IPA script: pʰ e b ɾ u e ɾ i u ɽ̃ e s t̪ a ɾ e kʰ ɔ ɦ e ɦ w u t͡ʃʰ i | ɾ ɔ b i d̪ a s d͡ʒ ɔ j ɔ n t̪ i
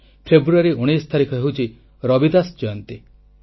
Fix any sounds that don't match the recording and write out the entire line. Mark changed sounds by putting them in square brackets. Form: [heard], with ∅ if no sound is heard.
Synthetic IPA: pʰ e b ɾ u [a] ɾ i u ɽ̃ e s [t̪ʰ] a ɾ [i] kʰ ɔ ɦ e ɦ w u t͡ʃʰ i | ɾ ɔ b i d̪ a s d͡ʒ ɔ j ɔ n t̪ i